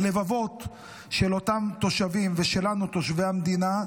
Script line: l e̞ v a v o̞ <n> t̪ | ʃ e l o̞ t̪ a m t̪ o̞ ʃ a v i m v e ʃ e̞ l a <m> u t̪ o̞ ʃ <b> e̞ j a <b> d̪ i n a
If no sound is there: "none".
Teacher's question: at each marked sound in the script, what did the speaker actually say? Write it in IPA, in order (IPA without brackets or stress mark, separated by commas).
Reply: none, n, v, m